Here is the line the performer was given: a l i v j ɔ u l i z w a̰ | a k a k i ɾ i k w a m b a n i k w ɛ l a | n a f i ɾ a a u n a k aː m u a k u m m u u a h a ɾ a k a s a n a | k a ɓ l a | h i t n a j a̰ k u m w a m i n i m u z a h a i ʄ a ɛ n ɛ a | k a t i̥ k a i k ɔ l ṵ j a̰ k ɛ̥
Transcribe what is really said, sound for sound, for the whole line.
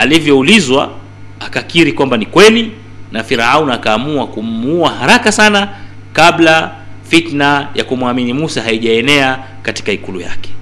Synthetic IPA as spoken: a l i v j ɔ u l i z w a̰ | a k a k i ɾ i k w a m b a n i k w ɛ l i | n a f i ɾ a a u n a k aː m u a k u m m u u a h a ɾ a k a s a n a | k a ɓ l a | f i t n a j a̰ k u m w a m i n i m u s a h a i ʄ a ɛ n ɛ a | k a t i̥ k a i k u l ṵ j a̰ k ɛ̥